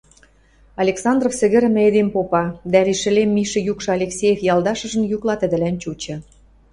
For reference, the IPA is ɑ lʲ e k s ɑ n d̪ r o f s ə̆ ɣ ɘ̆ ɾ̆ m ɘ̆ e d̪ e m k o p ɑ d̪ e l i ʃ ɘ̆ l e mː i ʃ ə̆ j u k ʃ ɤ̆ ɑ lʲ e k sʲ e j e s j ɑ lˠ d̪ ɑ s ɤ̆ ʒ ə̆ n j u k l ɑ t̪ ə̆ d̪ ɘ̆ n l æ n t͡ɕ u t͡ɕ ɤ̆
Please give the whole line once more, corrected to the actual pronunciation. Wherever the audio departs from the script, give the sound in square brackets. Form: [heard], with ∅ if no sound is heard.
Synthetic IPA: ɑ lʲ e k s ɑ n d̪ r o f s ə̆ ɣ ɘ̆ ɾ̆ m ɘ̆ e d̪ e m [p] o p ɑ d̪ [æ] l i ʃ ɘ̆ l e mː i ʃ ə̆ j u k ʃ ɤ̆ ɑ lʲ e k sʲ e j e [f] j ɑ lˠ d̪ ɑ [ʃ] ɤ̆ ʒ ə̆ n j u k l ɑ t̪ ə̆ d̪ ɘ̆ [∅] l æ n t͡ɕ u t͡ɕ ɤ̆